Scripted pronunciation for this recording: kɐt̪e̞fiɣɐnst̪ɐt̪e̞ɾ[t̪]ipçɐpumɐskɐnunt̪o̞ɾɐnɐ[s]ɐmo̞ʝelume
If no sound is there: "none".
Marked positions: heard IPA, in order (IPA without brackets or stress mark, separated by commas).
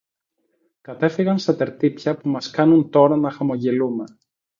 t̪, x